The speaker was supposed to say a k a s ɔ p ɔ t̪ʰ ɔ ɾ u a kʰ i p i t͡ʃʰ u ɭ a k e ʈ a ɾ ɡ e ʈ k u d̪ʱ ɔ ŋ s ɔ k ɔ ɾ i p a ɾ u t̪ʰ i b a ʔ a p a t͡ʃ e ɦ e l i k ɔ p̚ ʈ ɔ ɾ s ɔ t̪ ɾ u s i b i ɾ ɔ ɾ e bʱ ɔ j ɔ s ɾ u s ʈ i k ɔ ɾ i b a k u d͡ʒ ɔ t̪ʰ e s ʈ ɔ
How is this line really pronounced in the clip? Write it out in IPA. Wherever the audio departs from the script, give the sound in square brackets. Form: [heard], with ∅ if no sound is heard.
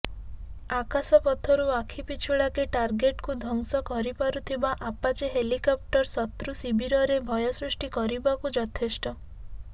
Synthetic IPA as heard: a k a s ɔ p ɔ t̪ʰ ɔ ɾ u a kʰ i p i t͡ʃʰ u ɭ a k e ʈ a ɾ ɡ e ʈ k u d̪ʱ ɔ ŋ s ɔ k ɔ ɾ i p a ɾ u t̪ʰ i b a ʔ a p a t͡ʃ e ɦ e l i k ɔ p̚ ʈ ɔ ɾ s ɔ t̪ ɾ u s i b i ɾ ɔ ɾ e bʱ ɔ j ɔ s ɾ u s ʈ i k ɔ ɾ i b a k u d͡ʒ ɔ t̪ʰ e s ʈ ɔ